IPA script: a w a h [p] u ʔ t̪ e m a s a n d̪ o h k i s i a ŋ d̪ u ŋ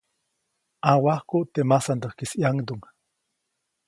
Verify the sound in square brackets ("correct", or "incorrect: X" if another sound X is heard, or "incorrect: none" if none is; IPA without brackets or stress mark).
incorrect: k